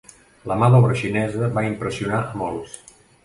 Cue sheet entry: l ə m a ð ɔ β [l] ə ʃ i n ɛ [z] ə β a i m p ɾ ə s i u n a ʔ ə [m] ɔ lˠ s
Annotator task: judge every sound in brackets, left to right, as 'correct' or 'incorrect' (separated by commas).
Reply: incorrect, correct, correct